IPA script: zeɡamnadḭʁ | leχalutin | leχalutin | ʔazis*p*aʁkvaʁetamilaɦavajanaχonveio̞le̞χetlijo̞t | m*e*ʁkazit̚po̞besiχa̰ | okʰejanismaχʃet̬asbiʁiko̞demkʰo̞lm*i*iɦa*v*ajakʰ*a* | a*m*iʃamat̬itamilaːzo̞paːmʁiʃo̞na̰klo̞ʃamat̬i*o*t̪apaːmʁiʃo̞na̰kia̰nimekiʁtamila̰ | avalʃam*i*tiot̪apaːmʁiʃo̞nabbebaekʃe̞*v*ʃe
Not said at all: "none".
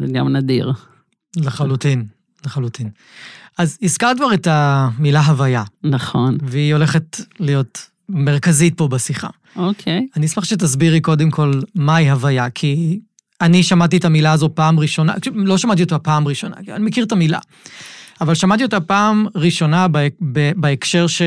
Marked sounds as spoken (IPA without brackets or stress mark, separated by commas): k, e, a, v, i, n, o, a, ʁ